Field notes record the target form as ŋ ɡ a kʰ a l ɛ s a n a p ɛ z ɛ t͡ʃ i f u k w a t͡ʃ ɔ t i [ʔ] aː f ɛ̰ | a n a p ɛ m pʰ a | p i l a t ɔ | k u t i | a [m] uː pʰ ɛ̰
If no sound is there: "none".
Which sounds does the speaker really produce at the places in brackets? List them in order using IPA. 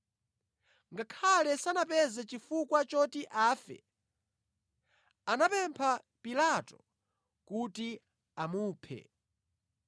ʔ, m

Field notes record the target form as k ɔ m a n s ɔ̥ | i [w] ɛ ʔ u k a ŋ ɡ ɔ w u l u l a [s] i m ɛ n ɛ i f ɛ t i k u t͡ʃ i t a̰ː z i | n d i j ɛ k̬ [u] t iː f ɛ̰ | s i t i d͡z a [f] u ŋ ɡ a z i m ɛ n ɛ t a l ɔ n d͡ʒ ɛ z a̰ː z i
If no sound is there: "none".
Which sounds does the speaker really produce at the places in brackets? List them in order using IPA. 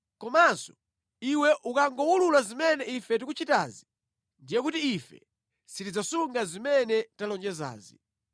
w, z, u, s

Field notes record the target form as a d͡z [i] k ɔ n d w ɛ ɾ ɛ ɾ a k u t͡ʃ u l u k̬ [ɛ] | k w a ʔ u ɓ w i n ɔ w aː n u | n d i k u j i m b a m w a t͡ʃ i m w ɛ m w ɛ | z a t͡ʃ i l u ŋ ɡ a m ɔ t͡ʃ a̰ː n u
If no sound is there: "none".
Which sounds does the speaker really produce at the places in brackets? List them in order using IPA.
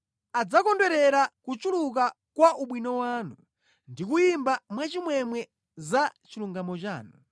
a, a

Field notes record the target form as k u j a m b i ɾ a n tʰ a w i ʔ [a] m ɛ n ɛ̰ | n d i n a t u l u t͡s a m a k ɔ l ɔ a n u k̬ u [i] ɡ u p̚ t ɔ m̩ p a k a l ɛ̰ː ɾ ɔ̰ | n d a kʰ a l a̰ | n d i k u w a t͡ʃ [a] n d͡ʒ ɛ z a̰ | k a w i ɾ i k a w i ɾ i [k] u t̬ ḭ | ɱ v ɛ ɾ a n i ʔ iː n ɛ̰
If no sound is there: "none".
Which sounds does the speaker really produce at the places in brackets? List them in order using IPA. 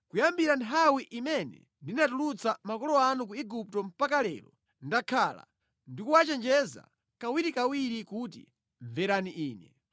i, i, ɛ, k

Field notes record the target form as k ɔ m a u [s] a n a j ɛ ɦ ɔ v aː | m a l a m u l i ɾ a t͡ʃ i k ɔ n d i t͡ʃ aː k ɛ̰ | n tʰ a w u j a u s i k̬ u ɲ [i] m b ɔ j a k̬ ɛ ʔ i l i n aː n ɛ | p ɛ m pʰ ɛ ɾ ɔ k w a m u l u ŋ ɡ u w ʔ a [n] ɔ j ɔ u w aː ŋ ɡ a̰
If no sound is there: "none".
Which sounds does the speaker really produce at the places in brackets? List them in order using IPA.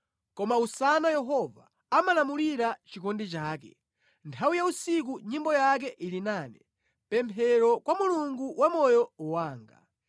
s, i, m

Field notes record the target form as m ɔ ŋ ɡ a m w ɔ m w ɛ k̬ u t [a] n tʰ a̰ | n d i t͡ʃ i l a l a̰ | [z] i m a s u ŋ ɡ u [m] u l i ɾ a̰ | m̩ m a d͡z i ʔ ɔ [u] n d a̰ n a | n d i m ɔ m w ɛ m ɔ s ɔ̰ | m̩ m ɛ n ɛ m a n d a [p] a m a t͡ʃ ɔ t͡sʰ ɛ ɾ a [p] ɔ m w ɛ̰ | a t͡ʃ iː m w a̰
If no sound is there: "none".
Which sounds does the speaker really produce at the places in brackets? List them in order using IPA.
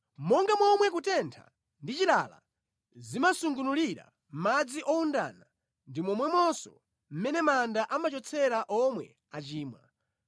ɛ, z, n, u, ʔ, ʔ

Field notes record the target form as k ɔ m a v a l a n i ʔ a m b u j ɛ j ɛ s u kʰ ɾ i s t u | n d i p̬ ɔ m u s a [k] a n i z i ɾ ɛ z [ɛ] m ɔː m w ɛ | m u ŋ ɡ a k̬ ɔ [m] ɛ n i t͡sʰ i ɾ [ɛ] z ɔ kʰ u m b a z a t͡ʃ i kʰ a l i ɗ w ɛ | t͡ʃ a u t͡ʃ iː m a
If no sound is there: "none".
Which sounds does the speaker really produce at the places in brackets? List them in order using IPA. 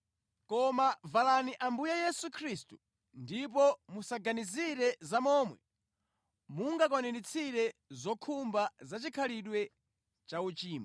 ɡ, a, n, ɛ

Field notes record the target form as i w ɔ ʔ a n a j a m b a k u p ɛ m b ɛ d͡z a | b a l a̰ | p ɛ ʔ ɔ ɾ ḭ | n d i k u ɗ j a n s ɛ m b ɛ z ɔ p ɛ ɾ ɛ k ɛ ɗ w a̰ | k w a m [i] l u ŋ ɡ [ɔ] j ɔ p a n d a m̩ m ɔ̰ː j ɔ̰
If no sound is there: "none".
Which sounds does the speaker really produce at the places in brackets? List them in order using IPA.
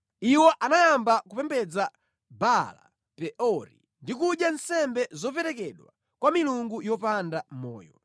i, u

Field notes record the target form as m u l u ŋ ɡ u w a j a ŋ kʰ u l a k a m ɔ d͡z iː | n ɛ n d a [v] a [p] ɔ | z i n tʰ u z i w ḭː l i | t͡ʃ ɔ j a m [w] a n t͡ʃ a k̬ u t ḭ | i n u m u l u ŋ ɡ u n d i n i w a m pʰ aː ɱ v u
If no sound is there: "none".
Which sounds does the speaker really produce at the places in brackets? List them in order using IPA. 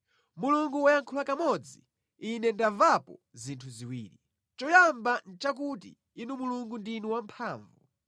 v, p, b

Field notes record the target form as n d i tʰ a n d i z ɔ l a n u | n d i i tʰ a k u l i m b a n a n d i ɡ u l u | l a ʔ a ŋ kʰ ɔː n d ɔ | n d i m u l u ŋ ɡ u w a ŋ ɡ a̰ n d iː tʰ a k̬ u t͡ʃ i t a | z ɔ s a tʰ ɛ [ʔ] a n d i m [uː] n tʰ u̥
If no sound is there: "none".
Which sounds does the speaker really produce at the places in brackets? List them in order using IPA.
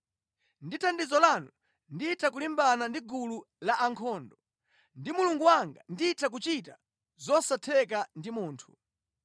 k, uː

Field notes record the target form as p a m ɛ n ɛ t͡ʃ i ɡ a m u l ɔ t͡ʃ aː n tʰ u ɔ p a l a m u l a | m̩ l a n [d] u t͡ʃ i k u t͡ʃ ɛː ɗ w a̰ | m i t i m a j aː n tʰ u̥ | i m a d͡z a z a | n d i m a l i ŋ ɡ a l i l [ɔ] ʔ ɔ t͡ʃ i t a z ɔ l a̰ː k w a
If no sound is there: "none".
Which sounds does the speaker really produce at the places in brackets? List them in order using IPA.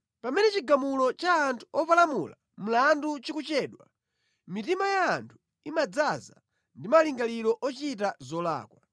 d, ɔ

